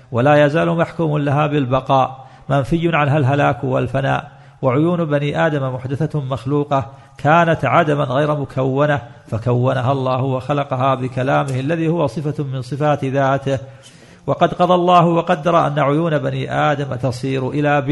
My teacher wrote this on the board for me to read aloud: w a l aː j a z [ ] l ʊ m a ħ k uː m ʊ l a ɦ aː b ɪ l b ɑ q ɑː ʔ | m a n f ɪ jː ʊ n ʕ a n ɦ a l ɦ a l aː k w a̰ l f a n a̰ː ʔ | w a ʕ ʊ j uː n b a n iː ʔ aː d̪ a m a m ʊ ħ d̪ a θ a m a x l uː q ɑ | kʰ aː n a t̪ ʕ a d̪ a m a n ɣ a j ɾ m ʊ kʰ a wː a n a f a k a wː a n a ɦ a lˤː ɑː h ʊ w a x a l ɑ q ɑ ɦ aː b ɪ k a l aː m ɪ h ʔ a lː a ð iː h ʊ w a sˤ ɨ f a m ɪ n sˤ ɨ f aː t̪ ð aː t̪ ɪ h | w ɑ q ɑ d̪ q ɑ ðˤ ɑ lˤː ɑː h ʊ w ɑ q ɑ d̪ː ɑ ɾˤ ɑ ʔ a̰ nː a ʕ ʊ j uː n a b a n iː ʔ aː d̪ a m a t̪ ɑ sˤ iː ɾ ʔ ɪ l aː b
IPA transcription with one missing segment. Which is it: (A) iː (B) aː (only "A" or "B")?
B